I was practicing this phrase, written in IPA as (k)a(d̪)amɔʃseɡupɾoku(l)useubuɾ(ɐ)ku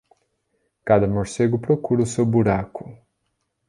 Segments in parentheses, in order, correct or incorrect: correct, correct, incorrect, incorrect

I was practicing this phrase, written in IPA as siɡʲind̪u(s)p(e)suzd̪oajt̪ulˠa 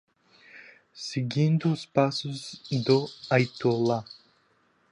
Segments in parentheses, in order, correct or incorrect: correct, incorrect

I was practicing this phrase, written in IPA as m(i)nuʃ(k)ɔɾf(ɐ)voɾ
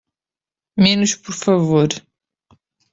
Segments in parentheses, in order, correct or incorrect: incorrect, incorrect, correct

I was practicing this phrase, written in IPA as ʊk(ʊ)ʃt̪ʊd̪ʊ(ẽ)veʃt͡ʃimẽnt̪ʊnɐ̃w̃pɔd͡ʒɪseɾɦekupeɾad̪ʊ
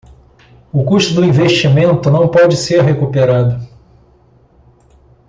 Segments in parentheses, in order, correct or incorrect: incorrect, incorrect

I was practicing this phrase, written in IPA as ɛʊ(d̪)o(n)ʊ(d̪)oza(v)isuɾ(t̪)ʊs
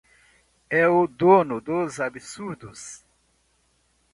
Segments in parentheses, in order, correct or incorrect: correct, correct, correct, incorrect, incorrect

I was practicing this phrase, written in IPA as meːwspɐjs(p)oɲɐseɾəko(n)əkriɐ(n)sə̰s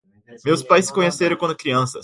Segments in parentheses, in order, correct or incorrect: incorrect, correct, correct

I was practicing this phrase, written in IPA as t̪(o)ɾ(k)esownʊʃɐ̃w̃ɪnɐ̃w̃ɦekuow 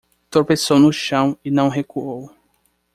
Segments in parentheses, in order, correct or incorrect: correct, incorrect

